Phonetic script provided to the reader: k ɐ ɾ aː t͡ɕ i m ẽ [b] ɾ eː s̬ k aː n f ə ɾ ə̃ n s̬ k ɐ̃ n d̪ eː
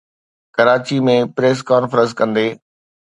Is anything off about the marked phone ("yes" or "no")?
yes